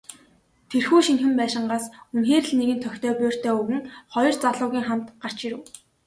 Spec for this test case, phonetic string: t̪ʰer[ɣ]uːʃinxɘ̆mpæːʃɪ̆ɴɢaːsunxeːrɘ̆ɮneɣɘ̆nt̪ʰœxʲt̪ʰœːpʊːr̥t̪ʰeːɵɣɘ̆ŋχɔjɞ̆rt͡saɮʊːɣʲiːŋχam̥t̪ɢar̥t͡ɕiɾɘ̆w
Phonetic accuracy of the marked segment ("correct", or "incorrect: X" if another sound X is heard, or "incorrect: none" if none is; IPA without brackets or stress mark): incorrect: x